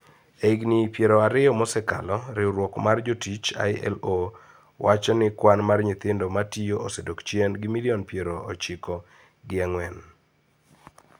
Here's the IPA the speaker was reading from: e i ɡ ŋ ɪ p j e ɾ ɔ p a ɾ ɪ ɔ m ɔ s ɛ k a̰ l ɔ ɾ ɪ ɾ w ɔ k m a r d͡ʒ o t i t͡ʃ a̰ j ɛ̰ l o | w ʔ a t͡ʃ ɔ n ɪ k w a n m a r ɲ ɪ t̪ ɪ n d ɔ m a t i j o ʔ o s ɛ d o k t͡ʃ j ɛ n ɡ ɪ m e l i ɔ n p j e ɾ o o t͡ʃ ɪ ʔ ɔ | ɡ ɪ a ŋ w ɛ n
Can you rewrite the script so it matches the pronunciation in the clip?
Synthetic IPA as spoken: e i ɡ n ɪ p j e ɾ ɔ a ɾ ɪ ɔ m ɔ s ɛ k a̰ l ɔ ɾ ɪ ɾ w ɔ k m a r d͡ʒ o t i t͡ʃ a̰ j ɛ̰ l o | w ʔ a t͡ʃ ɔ n ɪ k w a n m a r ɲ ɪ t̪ ɪ n d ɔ m a t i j o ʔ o s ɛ d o k t͡ʃ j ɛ n ɡ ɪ m i l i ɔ n p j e ɾ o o t͡ʃ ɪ k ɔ | ɡ ɪ a ŋ w ɛ n